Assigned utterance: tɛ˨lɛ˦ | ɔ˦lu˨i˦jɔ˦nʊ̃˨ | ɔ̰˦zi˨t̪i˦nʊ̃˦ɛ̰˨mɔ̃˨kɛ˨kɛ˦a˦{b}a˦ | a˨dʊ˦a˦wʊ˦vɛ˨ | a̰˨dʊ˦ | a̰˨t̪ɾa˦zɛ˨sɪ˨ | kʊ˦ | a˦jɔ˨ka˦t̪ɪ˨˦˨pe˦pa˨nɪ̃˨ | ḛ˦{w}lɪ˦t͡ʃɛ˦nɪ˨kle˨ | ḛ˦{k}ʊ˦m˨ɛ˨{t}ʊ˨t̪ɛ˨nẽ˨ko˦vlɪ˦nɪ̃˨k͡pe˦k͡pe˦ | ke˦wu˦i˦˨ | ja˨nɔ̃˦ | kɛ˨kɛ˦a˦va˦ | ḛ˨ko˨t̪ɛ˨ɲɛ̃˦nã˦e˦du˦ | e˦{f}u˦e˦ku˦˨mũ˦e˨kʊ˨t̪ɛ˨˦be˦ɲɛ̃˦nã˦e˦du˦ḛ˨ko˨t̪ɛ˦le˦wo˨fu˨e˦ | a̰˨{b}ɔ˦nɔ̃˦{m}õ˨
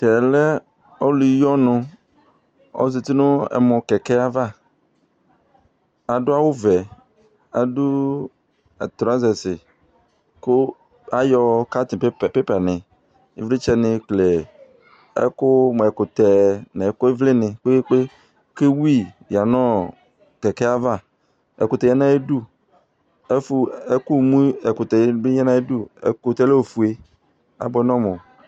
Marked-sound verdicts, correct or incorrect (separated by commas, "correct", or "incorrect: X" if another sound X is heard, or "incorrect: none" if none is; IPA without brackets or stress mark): incorrect: v, incorrect: v, correct, incorrect: k, correct, correct, correct